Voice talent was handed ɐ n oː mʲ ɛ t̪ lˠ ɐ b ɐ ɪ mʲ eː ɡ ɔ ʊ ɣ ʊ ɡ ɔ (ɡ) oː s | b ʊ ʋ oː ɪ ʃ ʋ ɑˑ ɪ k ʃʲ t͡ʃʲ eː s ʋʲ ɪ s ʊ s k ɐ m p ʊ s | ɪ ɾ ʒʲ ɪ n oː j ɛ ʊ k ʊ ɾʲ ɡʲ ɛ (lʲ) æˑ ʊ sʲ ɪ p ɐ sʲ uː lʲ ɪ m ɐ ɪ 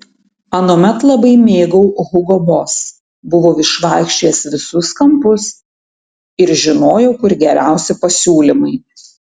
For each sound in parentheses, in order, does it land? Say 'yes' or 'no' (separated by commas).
no, no